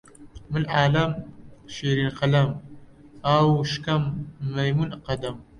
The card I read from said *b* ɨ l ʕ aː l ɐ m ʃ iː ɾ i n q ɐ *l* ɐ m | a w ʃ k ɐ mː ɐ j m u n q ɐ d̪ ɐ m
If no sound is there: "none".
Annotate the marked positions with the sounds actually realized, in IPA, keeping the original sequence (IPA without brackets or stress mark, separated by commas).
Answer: m, l